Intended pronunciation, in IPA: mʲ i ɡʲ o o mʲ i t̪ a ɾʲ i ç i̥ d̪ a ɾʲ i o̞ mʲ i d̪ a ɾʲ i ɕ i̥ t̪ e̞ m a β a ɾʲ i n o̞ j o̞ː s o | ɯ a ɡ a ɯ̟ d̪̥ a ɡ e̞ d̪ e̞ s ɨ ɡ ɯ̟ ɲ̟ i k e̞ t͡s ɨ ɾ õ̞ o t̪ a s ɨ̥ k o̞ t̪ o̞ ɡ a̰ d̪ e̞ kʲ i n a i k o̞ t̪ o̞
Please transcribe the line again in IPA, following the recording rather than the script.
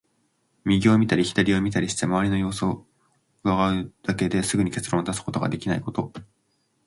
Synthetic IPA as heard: mʲ i ɡʲ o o mʲ i t̪ a ɾʲ i ç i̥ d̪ a ɾʲ i o̞ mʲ i t̪ a ɾʲ i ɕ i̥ t̪ e̞ m a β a ɾʲ i n o̞ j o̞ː s o | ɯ a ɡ a ɯ̟ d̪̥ a k e̞ d̪ e̞ s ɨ ɡ ɯ̟ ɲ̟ i k e̞ t͡s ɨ ɾ õ̞ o t̪ a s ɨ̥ k o̞ t̪ o̞ ɡ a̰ d̪ e̞ kʲ i n a i k o̞ t̪ o̞